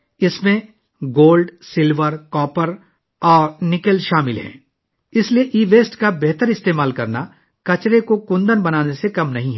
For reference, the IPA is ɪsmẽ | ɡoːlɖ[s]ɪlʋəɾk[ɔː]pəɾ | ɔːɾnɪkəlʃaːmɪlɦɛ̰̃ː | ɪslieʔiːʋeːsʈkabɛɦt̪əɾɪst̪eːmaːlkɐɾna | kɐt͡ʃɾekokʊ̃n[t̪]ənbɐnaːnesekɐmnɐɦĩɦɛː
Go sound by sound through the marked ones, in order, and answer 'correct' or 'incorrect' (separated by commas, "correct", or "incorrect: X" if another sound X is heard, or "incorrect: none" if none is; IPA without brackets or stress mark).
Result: correct, correct, incorrect: d̪